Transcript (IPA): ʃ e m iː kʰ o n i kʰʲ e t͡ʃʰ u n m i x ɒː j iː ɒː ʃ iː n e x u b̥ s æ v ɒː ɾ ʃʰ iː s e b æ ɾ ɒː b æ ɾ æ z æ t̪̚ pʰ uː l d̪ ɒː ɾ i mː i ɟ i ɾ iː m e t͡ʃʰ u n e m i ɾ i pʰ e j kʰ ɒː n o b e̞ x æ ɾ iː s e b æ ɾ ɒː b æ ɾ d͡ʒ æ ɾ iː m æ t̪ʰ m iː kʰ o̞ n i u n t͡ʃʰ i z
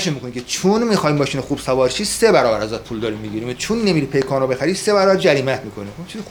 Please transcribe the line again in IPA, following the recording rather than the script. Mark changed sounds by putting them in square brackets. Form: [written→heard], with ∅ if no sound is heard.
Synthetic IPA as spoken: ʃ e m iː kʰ o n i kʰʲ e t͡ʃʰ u n m i x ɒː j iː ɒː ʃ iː n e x u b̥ s æ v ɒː ɾ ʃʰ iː s e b æ ɾ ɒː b æ ɾ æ z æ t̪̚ pʰ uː l d̪ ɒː ɾ i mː i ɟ i ɾ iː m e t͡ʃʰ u [n→nː] e m i ɾ i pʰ e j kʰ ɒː n o b e̞ x æ ɾ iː s e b æ ɾ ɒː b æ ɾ d͡ʒ æ ɾ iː m æ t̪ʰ m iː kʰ o̞ n i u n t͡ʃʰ i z